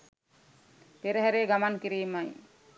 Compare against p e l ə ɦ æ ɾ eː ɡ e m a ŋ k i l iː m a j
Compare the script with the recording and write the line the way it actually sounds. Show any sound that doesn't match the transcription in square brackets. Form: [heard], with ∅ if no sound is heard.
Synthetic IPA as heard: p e [ɾ] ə ɦ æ ɾ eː ɡ [a] m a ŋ k i [ɾ] iː m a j